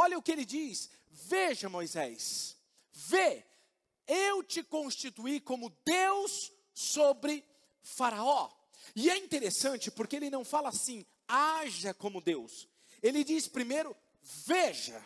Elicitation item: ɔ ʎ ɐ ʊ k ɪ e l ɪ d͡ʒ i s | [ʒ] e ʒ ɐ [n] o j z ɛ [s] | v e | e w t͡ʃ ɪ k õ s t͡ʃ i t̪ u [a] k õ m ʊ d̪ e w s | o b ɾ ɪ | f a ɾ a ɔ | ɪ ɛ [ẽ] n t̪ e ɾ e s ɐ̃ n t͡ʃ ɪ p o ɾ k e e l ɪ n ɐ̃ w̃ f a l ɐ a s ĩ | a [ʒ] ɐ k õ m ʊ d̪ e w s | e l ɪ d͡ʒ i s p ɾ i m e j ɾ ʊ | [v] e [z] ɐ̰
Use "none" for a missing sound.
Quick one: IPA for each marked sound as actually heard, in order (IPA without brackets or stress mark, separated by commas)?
v, m, s, i, ĩ, ʒ, v, ʒ